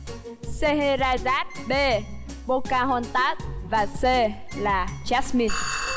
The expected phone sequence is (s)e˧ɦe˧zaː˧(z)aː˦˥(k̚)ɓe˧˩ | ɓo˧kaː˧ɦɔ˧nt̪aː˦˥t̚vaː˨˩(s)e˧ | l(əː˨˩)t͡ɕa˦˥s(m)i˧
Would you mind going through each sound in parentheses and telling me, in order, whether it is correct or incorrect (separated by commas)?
correct, correct, incorrect, correct, incorrect, correct